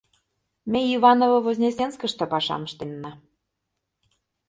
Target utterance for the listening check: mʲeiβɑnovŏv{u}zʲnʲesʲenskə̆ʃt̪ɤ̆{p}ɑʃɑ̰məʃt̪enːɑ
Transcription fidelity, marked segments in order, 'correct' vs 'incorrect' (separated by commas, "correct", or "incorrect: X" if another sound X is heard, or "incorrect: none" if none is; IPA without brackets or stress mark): incorrect: o, correct